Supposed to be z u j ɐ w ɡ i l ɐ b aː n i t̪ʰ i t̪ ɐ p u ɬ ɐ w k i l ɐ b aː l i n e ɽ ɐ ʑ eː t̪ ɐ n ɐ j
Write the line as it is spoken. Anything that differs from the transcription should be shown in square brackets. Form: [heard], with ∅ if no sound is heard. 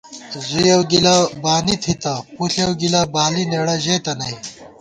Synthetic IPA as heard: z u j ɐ w ɡ i l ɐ b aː n i t̪ʰ i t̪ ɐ p u ɬ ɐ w [ɡ] i l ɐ b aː l i n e ɽ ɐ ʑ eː t̪ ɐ n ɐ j